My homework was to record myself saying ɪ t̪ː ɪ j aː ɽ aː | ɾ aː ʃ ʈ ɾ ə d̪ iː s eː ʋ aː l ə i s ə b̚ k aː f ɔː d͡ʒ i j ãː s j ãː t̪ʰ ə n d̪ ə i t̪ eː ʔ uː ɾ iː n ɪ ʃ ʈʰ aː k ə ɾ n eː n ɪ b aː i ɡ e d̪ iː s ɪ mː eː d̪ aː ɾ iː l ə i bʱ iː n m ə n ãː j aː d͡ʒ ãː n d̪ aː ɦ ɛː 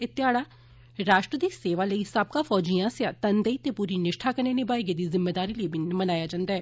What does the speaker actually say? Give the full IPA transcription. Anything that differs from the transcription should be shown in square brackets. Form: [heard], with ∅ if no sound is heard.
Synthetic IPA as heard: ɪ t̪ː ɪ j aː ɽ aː | ɾ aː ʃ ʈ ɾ ə d̪ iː s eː ʋ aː l ə i s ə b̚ k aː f ɔː d͡ʒ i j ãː s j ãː [t̪] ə n d̪ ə i t̪ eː [p] uː ɾ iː n ɪ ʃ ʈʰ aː k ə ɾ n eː n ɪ b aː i ɡ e d̪ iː [z] ɪ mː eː d̪ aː ɾ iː l ə i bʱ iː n m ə n [aː] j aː d͡ʒ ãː n d̪ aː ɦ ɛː

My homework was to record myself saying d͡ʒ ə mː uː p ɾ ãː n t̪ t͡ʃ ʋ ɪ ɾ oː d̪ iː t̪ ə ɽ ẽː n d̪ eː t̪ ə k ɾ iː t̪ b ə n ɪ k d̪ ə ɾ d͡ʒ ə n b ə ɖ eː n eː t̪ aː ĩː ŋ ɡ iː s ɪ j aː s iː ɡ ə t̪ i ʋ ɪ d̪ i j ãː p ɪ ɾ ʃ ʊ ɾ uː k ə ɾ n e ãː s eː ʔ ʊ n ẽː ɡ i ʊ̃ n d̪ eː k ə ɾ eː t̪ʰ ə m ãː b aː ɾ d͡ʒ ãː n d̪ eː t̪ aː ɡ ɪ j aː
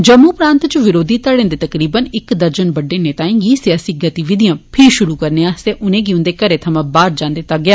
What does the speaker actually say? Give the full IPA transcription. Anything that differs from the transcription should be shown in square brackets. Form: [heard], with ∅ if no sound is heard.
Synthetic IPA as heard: d͡ʒ ə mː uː p ɾ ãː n t̪ t͡ʃ ʋ ɪ ɾ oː d̪ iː t̪ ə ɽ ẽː n d̪ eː t̪ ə k ɾ iː [∅] b ə n ɪ k d̪ ə ɾ d͡ʒ ə n b ə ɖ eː n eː t̪ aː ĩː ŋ ɡ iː s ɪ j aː s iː ɡ ə t̪ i ʋ ɪ d̪ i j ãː [pʰ] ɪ ɾ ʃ ʊ ɾ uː k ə ɾ n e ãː s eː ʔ ʊ n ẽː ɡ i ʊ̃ n d̪ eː k ə ɾ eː t̪ʰ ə m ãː b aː ɾ d͡ʒ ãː n d̪ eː t̪ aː ɡ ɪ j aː

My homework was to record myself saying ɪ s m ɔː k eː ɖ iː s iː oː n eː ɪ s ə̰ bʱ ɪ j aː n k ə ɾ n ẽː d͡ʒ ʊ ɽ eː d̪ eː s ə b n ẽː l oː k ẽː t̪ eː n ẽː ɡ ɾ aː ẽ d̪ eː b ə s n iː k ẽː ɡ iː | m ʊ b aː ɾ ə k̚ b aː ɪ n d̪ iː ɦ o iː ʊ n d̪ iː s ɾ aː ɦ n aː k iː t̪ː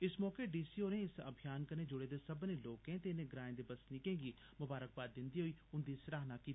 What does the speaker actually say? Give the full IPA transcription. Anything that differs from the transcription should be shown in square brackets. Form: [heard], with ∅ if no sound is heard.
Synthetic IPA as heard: ɪ s m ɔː k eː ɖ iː s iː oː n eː ɪ s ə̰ bʱ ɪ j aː n k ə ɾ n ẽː d͡ʒ ʊ ɽ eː d̪ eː s ə b n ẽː l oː k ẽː t̪ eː n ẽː ɡ ɾ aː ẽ d̪ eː b ə s n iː k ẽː ɡ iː | m ʊ b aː ɾ ə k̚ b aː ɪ n d̪ iː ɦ o iː ʊ n d̪ iː s ɾ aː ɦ n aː k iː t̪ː

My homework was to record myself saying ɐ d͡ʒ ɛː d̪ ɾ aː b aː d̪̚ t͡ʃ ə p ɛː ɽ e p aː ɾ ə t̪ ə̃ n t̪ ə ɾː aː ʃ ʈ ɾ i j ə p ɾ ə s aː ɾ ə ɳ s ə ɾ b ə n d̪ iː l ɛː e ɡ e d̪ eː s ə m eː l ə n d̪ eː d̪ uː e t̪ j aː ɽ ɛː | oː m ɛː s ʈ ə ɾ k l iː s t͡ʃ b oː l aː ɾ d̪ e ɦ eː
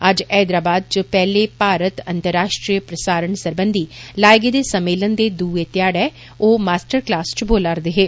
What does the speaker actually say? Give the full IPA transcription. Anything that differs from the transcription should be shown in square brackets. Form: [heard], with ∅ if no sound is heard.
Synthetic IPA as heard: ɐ d͡ʒ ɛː d̪ ɾ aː b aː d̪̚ t͡ʃ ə p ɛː [l] e p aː ɾ ə t̪ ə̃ n t̪ ə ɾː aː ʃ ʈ ɾ i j ə p ɾ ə s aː ɾ ə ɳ s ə ɾ b ə n d̪ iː l [aː] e ɡ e d̪ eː s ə m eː l ə n d̪ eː d̪ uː e t̪ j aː ɽ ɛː | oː m [aː] s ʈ ə ɾ k l [aː] s t͡ʃ b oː l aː ɾ d̪ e ɦ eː

